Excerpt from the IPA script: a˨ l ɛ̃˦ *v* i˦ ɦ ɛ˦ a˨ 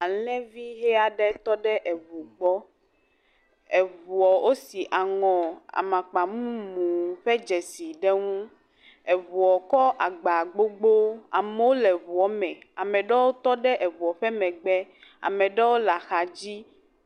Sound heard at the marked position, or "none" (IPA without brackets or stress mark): v